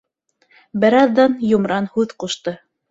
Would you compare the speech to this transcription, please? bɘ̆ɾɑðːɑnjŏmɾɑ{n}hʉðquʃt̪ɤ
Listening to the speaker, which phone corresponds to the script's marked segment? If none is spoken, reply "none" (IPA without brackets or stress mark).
n